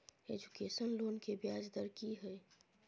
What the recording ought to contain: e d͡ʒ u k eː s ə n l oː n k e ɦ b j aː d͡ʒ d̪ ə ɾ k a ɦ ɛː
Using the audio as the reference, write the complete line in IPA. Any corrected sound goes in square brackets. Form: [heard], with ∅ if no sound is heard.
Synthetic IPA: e d͡ʒ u k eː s ə n l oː n k e [∅] b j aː d͡ʒ d̪ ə ɾ k [i] ɦ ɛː